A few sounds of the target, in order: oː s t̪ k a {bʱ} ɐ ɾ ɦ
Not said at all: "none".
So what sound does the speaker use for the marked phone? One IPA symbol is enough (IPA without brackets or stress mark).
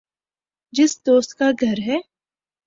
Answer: ɡʱ